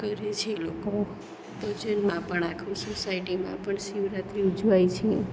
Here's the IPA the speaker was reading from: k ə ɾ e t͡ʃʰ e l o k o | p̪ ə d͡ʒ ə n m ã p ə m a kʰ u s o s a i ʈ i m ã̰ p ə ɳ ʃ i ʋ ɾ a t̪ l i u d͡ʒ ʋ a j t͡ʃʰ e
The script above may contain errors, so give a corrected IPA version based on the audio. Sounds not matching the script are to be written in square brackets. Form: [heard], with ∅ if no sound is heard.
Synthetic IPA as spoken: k ə ɾ e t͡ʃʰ e l o k o | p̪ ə d͡ʒ ə n m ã p ə [ɳ] a kʰ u s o s a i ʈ i m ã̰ p ə ɳ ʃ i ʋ ɾ a t̪ [ɾ] i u d͡ʒ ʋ a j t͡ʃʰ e